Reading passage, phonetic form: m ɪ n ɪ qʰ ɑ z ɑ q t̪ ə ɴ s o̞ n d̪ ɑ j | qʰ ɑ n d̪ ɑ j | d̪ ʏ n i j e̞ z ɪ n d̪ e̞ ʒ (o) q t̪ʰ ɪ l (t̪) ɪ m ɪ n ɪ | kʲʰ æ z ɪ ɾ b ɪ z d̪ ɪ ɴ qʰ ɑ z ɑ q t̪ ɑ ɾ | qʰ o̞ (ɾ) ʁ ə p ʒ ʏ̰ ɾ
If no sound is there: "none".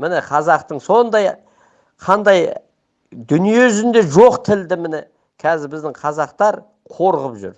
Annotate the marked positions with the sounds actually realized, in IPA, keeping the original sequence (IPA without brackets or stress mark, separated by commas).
o, d̪, ɾ